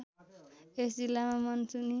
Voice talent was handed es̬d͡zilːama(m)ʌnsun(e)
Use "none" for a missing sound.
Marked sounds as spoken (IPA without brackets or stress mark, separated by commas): m, i